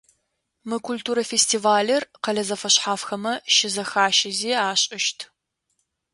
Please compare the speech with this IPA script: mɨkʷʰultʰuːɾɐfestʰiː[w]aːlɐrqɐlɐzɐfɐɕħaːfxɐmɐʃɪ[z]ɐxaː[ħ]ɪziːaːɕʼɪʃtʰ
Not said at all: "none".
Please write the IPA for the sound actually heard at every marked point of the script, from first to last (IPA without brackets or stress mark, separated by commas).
v, z, ʃ